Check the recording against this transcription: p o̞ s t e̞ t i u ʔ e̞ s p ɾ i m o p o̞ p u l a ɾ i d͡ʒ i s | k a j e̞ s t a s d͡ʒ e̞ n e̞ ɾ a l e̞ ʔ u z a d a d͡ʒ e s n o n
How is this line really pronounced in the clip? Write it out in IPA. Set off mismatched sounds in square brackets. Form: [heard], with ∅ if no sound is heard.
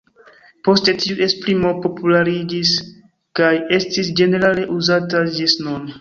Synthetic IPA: p o̞ s t e̞ t i u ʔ e̞ s p ɾ i m o p o̞ p u l a ɾ i d͡ʒ i s | k a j e̞ s t [i] s d͡ʒ e̞ n e̞ ɾ a l e̞ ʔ u z a [t] a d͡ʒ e s n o n